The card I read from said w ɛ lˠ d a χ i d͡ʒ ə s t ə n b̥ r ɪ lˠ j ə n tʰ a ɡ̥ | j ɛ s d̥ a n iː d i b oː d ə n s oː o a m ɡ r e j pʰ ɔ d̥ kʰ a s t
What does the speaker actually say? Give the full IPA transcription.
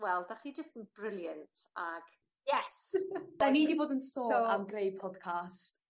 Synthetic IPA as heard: w ɛ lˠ d a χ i d͡ʒ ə s t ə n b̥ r ɪ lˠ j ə n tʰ a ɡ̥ | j ɛ s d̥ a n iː d i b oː d ə n s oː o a m ɡ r e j pʰ ɔ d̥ kʰ a s t